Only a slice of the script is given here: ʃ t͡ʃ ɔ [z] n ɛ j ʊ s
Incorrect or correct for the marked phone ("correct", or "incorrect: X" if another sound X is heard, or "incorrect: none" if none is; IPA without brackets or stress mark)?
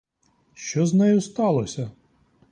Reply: correct